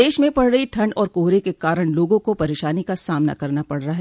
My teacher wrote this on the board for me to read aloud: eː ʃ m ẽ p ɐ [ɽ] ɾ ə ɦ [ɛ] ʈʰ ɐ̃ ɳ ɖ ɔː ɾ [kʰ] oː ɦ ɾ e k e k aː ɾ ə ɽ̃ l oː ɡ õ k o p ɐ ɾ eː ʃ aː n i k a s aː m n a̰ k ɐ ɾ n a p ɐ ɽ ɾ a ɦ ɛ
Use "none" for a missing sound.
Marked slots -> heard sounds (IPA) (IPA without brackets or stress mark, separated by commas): ɽ, i, k